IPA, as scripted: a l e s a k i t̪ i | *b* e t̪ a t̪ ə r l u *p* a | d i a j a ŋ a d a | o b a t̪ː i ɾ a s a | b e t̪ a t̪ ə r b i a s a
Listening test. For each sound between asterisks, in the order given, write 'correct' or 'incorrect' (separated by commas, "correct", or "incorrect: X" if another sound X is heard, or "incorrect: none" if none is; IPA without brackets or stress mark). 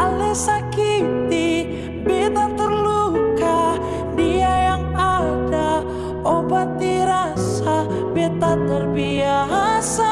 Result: correct, incorrect: k